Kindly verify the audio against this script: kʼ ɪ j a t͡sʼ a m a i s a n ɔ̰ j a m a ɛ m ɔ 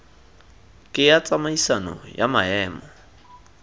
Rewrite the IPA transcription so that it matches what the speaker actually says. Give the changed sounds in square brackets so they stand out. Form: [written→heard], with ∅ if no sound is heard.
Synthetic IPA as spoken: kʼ ɪ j a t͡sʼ a m a i s a n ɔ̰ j a m a [ɛ→ɛː] m ɔ